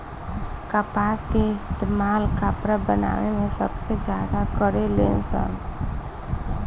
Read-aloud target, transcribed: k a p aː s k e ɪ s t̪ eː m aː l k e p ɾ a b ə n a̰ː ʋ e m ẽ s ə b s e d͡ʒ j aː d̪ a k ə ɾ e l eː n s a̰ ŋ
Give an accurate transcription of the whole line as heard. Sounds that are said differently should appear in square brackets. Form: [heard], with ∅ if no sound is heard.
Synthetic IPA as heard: k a p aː s k e ɪ s t̪ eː m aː l k [a] p ɾ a b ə n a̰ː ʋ e m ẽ s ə b s e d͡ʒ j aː d̪ a k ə ɾ e l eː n s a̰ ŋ